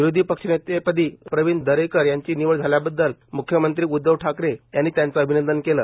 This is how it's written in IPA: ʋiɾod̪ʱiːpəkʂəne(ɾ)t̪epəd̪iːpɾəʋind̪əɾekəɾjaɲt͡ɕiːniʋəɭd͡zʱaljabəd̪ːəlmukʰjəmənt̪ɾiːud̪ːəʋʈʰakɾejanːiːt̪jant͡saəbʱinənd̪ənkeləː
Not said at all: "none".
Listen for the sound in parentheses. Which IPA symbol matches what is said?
none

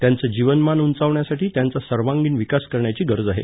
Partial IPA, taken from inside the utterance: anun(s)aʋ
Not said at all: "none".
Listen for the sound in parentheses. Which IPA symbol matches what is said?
t͡s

